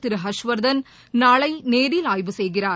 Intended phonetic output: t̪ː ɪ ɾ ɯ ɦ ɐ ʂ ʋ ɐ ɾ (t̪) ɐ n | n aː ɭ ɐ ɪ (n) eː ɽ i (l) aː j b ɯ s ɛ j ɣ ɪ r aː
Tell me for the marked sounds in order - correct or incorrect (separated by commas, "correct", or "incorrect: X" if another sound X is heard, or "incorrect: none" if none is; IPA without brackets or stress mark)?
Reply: incorrect: d̪, correct, correct